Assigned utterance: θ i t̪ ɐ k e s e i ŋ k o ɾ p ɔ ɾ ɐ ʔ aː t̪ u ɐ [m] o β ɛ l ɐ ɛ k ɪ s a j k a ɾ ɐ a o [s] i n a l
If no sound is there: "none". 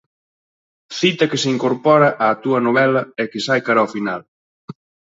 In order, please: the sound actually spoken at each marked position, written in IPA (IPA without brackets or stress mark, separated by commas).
n, f